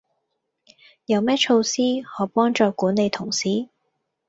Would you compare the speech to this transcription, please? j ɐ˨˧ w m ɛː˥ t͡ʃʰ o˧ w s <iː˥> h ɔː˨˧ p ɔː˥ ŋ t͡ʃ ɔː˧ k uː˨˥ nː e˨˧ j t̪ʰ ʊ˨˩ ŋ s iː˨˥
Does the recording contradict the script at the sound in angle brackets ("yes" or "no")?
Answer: no